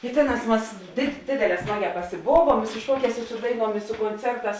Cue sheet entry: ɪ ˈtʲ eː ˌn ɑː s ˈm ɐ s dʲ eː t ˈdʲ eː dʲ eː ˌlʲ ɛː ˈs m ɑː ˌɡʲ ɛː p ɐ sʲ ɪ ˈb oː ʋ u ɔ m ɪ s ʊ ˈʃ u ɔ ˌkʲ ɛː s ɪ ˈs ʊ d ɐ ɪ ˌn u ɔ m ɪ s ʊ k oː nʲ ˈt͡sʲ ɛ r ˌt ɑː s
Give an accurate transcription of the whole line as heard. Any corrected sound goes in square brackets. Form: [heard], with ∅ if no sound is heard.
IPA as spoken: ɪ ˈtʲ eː ˌn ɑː s ˈm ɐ s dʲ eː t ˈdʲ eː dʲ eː ˌlʲ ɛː ˈs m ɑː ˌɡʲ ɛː p ɐ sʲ ɪ ˈb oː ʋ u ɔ m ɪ s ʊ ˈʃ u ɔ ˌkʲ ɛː s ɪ ˈs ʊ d ɐ ɪ ˌn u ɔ m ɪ s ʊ k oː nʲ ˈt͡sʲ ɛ r ˌt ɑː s